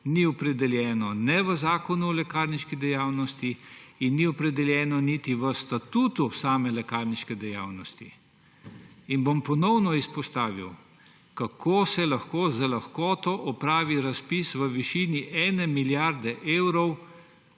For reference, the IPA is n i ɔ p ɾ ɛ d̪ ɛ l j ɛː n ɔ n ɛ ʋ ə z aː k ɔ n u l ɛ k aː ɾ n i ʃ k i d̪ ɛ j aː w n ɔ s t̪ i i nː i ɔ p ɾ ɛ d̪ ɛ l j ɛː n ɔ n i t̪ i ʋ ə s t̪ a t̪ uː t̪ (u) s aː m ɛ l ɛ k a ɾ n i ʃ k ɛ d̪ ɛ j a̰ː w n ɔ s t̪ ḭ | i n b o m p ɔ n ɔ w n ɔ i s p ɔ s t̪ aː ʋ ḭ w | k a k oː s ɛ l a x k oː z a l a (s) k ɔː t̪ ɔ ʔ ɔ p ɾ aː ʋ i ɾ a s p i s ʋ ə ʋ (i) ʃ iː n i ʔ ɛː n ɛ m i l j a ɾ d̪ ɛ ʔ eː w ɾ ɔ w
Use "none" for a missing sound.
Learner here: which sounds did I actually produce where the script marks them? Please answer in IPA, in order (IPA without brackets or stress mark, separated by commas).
u, x, i